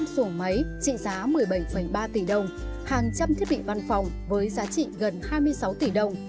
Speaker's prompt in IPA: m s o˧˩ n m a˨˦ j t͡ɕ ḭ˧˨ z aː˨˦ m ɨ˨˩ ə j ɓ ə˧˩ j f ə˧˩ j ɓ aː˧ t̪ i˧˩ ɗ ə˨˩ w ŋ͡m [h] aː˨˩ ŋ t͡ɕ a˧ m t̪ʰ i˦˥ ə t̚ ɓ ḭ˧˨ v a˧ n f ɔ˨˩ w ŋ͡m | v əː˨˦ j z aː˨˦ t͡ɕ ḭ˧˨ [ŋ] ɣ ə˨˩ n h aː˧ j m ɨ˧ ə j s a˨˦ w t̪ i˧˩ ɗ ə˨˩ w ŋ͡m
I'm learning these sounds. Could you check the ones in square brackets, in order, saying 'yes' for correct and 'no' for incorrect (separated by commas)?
yes, no